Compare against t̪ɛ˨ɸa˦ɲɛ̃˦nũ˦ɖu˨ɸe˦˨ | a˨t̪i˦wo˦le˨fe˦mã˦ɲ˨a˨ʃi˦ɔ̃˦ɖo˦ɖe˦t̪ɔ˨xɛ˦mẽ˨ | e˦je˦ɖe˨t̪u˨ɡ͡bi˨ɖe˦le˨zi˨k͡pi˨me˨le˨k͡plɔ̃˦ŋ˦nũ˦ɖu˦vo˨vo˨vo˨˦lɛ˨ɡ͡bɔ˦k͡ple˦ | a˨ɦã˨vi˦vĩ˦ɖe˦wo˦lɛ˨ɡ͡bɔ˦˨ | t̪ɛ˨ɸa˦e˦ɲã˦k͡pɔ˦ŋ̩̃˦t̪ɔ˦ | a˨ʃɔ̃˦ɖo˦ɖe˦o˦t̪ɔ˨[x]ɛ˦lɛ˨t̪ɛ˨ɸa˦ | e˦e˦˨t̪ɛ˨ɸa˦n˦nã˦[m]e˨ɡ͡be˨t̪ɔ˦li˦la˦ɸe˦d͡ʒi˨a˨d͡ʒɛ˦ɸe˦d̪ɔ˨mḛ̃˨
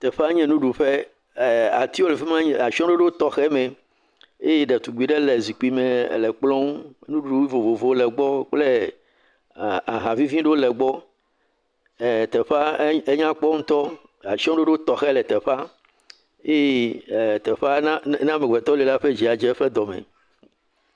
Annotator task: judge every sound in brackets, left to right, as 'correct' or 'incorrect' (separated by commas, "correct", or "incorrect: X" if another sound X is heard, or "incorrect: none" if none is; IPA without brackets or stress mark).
correct, correct